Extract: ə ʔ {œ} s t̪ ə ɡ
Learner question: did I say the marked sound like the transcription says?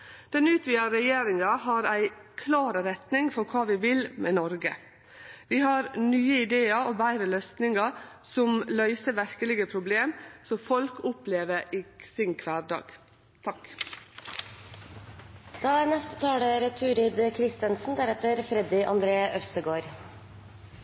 yes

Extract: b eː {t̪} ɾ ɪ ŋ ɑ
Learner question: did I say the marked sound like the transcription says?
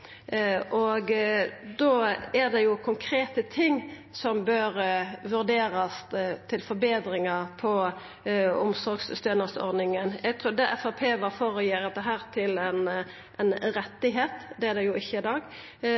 no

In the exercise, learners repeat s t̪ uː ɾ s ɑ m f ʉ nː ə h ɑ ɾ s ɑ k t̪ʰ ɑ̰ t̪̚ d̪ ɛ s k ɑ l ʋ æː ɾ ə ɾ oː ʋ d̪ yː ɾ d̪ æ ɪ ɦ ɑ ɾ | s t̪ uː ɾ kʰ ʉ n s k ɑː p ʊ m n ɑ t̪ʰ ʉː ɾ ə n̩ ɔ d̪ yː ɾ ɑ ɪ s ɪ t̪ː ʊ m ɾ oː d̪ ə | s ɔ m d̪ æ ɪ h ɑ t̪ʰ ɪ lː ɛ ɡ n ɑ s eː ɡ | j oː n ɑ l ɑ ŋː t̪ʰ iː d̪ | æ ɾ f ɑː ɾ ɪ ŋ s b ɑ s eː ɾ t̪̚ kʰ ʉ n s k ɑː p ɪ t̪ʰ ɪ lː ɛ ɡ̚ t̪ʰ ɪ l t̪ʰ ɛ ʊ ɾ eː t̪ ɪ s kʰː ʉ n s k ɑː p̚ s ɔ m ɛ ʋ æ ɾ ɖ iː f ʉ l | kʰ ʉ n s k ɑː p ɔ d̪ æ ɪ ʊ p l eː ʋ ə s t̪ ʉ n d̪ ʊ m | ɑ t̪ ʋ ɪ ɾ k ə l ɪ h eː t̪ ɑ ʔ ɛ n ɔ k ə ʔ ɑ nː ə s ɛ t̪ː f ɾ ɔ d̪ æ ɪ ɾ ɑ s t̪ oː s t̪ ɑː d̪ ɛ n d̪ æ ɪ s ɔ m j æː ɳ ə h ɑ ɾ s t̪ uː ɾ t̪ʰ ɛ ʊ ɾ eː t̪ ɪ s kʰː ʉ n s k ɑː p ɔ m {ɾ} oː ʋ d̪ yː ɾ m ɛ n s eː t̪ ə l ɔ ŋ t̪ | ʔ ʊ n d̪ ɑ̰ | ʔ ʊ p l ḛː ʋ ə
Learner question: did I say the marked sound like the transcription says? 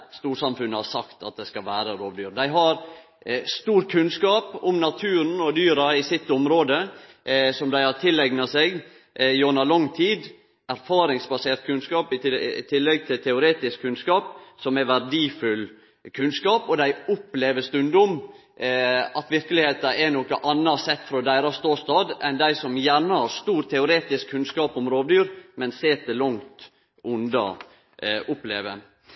yes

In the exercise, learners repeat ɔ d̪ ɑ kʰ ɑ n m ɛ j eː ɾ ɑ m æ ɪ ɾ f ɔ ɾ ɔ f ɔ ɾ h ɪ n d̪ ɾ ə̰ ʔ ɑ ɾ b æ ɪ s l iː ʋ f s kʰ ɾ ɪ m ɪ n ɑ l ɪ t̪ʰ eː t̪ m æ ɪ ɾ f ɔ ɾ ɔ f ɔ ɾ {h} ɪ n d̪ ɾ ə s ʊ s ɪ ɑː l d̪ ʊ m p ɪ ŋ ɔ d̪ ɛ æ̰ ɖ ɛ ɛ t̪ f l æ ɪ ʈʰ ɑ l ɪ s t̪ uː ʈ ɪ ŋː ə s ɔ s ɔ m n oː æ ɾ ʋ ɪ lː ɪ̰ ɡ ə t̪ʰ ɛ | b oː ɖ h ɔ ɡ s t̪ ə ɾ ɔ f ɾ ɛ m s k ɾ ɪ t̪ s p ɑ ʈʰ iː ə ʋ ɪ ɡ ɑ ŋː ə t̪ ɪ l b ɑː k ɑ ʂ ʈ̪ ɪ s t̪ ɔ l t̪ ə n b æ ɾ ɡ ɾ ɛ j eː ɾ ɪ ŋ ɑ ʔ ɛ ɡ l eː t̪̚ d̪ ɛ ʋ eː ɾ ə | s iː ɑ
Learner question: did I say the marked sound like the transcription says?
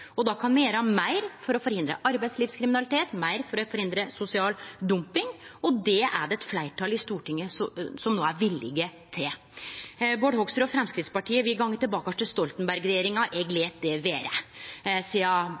yes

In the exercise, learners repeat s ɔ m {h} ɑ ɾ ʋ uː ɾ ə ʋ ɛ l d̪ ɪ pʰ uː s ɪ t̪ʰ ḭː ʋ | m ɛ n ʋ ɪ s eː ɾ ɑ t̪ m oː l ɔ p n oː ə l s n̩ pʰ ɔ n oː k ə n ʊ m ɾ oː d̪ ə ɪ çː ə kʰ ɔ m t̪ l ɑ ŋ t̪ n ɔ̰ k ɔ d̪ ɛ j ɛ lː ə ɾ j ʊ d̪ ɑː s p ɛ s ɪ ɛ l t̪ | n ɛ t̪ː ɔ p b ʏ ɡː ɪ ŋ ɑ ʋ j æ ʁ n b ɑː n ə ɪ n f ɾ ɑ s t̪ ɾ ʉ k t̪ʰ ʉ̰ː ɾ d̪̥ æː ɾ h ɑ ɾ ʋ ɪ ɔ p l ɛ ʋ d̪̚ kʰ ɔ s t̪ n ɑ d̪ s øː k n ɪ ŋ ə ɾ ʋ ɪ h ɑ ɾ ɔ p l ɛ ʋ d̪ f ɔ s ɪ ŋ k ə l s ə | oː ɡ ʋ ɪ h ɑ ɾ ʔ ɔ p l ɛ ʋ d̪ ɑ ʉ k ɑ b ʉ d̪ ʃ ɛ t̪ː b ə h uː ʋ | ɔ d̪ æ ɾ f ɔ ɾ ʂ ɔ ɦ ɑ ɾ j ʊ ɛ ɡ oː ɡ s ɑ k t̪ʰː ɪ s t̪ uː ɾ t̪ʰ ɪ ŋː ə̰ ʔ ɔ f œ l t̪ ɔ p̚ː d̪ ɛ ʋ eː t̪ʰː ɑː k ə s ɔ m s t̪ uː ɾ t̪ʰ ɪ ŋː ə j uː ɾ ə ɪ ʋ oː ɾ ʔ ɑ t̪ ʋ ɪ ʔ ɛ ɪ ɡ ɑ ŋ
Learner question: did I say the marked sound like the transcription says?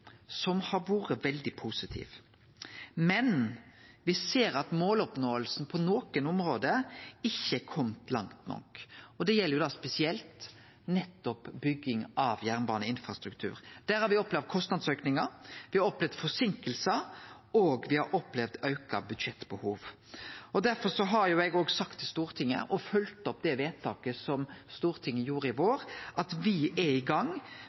yes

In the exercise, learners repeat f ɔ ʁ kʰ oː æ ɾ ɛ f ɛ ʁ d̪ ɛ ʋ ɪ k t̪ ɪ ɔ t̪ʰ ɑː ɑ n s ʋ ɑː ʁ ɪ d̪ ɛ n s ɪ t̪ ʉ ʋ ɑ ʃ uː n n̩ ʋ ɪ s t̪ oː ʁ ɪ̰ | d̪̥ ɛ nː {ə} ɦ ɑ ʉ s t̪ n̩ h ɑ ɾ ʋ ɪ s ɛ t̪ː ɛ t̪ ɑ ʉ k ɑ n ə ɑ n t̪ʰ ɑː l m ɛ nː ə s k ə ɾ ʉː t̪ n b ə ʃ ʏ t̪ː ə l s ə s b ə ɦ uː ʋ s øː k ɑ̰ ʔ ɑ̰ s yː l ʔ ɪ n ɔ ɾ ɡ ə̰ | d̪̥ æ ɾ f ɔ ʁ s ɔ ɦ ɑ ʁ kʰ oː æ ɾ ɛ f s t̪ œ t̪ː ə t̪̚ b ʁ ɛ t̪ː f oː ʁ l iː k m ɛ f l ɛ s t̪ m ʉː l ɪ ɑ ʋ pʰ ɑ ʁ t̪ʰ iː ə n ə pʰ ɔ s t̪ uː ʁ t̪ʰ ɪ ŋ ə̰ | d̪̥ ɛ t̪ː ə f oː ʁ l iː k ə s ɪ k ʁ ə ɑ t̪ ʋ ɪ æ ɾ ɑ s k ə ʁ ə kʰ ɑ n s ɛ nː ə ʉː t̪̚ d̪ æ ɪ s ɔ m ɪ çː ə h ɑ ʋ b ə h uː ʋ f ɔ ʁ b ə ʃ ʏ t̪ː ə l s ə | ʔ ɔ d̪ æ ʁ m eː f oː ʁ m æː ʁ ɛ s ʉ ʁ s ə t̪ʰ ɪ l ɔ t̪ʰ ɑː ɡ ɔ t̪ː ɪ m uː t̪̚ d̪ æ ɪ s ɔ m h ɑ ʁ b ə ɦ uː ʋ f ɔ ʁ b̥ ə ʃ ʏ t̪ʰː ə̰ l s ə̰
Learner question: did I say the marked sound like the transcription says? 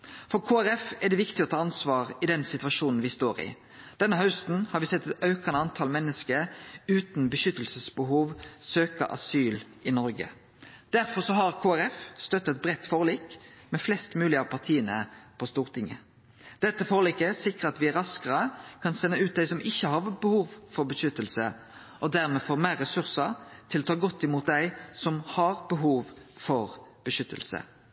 yes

